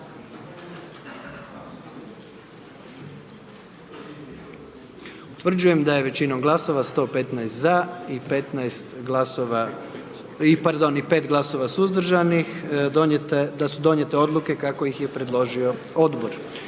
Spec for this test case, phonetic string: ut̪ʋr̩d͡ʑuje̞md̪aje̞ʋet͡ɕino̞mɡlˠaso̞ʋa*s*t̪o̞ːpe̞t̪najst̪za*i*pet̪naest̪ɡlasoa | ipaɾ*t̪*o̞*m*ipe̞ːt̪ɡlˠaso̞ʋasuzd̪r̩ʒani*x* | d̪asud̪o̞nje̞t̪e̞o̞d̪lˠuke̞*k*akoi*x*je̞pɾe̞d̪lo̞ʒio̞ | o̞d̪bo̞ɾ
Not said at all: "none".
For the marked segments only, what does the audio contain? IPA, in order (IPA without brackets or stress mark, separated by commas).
s, i, d̪, n, x, k, x